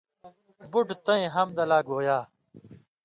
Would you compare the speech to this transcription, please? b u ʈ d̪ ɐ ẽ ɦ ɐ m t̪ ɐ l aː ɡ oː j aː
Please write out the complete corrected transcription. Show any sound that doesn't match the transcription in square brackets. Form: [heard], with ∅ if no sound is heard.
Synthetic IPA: b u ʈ [t̪] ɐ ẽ ɦ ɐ m [d̪] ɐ l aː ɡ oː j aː